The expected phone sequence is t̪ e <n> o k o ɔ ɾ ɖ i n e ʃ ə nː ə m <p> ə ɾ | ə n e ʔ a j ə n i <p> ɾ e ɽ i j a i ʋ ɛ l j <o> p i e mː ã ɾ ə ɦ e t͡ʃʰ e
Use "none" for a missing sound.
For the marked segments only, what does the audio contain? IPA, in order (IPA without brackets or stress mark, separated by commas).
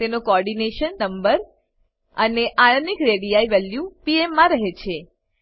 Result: n, b, k, u